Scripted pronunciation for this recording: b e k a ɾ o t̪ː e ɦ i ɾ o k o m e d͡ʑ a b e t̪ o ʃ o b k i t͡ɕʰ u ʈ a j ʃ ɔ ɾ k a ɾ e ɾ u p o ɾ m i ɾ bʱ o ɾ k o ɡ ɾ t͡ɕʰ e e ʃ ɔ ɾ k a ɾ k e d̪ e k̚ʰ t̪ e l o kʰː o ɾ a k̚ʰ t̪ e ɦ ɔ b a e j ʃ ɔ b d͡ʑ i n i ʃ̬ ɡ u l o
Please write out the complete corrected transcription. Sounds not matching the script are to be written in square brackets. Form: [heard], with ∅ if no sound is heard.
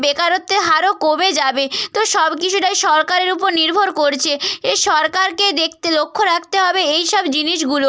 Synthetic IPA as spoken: b e k a ɾ o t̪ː e ɦ [a] ɾ o k o m e d͡ʑ a b e t̪ o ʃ [ɔ] b k i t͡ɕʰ u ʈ a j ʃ ɔ ɾ k a ɾ e ɾ u p o ɾ [n] i ɾ bʱ o ɾ k o [∅] ɾ t͡ɕʰ e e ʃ ɔ ɾ k a ɾ k e d̪ e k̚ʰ t̪ e l o kʰː o ɾ a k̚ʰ t̪ e ɦ ɔ b [e] e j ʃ ɔ b d͡ʑ i n i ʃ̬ ɡ u l o

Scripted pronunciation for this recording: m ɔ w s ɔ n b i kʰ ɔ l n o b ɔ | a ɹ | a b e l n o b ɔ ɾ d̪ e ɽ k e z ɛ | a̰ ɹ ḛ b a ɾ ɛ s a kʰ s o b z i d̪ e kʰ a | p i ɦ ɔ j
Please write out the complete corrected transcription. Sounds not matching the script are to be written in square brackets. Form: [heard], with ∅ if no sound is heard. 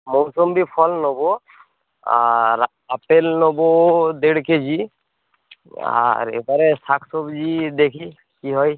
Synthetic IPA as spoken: m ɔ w s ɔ [m] b i [pʰ] ɔ l n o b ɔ | a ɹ | a [p] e l n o b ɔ [∅] d̪ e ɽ k e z [i] | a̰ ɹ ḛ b a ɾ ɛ s a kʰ s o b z i d̪ e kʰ [i] | [k] i ɦ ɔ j

